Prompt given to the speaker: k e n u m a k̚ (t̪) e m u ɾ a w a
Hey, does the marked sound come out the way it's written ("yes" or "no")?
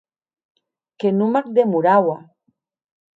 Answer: no